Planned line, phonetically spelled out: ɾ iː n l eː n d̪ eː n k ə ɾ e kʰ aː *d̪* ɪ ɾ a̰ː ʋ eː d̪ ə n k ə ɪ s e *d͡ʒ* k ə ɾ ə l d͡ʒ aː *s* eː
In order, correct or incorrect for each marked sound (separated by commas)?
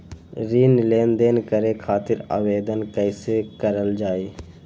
incorrect, incorrect, incorrect